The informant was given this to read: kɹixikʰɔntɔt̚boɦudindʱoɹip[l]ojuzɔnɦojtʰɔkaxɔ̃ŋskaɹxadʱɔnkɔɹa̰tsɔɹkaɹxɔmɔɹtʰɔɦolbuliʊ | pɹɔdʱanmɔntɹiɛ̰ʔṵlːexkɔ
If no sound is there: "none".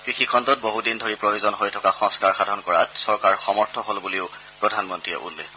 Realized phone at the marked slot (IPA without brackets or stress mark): ɹ